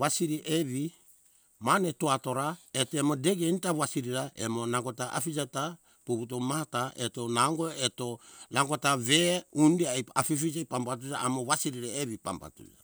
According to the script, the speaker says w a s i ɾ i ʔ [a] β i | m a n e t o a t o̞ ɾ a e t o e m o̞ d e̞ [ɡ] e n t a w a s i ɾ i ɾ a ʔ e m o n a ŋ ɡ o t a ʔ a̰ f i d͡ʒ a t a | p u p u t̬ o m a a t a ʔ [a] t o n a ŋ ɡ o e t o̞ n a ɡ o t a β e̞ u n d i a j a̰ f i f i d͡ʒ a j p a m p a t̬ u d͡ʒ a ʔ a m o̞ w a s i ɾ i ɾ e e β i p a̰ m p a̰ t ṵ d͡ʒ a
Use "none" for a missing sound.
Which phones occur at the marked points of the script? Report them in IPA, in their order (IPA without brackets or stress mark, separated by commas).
e, ɡ, e